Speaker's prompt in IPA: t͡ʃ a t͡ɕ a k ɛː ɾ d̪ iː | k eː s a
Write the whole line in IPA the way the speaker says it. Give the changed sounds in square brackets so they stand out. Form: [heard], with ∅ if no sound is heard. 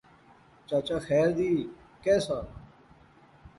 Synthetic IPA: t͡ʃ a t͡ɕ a [x] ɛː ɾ d̪ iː | k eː s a

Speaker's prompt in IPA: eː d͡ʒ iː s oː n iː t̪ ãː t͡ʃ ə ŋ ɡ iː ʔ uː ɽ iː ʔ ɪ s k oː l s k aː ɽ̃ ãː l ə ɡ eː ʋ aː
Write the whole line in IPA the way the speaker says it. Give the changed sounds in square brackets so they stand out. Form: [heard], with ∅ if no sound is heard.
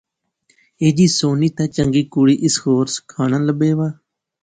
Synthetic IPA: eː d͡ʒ iː s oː n iː t̪ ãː t͡ʃ ə ŋ ɡ iː [k] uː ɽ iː ʔ ɪ s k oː [ɾ] s [kʰ] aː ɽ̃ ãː l ə [b] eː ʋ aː

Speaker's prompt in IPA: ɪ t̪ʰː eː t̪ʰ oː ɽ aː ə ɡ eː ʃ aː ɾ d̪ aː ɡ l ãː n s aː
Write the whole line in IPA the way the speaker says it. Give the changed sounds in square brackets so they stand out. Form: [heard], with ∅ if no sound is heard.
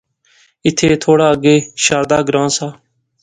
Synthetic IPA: ɪ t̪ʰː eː t̪ʰ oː ɽ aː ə ɡ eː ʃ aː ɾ d̪ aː ɡ [ɾ] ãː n s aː

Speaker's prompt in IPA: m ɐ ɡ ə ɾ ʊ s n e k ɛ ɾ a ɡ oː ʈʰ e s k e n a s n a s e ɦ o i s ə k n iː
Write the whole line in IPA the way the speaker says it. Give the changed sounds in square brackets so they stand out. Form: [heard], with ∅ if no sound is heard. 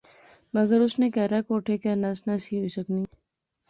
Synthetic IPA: m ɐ ɡ ə ɾ ʊ s n e k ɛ ɾ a [k] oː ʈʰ e [∅] k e n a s n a s [i] ɦ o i s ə k n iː

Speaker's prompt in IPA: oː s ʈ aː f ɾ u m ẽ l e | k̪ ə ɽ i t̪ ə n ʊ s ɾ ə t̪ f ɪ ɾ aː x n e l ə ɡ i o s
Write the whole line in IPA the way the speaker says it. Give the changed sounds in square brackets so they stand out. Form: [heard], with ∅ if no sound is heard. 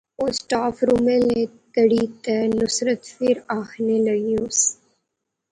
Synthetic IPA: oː s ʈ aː f ɾ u m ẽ l e | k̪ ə ɽ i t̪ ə n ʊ s ɾ ə t̪ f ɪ ɾ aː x n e l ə ɡ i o s

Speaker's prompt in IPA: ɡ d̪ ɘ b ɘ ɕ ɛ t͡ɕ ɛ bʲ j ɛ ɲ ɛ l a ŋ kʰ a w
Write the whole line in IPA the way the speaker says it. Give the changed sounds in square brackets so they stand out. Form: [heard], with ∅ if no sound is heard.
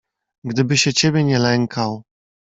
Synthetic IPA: ɡ d̪ ɘ b ɘ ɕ ɛ t͡ɕ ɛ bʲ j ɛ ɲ ɛ l [ɛ] ŋ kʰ a w

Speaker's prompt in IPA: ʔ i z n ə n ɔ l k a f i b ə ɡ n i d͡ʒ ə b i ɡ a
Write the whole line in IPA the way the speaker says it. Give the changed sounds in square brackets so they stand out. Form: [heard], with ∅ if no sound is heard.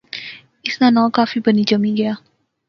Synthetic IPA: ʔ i [s] n [a] n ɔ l k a f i b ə [∅] n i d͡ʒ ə [m] i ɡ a

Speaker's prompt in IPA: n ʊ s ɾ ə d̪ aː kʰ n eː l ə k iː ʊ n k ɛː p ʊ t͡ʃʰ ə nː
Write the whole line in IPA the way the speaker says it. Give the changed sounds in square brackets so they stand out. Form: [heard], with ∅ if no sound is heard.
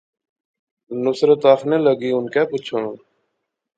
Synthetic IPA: n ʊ s ɾ ə [t̪] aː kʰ n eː l ə [ɡ] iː ʊ n k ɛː p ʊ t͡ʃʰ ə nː

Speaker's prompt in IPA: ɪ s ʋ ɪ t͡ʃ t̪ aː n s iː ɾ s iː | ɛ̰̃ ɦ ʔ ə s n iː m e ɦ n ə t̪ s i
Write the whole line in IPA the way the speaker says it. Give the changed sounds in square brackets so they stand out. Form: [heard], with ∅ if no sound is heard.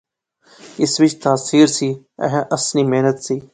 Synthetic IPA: ɪ s ʋ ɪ t͡ʃ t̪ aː [∅] s iː ɾ s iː | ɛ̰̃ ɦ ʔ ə s n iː m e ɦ n ə t̪ s [iː]

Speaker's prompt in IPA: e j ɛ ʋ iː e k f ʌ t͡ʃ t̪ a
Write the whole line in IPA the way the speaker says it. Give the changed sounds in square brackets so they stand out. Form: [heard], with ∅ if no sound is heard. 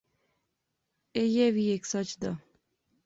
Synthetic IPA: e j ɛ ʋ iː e k [s] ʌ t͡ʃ [d̪] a

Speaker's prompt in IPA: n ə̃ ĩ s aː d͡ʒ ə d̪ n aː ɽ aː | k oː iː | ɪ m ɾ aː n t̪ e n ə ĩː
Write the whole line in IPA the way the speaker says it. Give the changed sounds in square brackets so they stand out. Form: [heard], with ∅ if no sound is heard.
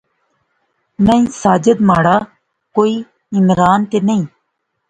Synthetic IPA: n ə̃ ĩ s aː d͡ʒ ə d̪ [m] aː ɽ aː | k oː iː | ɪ m ɾ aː n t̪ e n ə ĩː

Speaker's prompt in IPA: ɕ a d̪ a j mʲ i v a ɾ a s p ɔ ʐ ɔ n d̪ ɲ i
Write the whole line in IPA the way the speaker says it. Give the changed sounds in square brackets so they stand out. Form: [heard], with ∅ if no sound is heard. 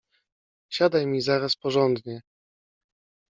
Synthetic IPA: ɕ a d̪ a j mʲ i [z] a ɾ a s p ɔ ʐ ɔ n d̪ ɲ [ɛ]

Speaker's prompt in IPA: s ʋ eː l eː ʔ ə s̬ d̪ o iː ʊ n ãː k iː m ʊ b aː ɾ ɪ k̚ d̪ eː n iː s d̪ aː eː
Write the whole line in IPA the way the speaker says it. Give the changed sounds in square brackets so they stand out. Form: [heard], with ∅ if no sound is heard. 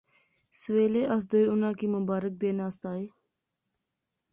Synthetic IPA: s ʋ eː l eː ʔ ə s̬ d̪ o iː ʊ n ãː k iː m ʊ b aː ɾ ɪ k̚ d̪ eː n [aː] s [t̪] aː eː

